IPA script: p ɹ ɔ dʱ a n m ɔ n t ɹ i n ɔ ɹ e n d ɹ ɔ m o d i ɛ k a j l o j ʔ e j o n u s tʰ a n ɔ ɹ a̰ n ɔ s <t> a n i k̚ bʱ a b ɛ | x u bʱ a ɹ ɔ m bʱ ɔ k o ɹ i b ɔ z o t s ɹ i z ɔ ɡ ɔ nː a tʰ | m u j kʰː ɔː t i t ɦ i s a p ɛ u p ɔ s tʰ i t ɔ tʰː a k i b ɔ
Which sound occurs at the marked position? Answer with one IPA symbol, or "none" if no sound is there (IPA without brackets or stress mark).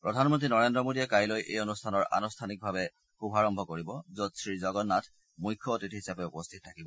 tʰ